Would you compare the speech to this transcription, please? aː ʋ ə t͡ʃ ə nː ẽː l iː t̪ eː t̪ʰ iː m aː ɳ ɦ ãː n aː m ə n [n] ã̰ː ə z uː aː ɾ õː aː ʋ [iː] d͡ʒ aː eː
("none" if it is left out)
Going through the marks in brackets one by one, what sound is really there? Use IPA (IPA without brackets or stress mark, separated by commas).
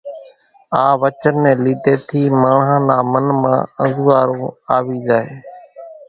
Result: m, iː